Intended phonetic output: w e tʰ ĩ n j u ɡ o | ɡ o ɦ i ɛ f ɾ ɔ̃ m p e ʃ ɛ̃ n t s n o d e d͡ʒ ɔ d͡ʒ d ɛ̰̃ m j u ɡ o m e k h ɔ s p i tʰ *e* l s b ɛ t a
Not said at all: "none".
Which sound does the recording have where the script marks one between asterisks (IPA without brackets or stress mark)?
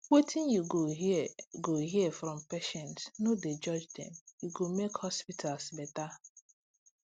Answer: a